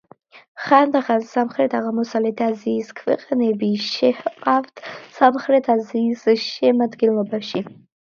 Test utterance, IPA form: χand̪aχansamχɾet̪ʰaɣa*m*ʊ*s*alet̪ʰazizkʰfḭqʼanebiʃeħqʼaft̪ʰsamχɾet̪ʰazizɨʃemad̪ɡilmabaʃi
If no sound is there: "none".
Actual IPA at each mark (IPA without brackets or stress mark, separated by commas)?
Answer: m, s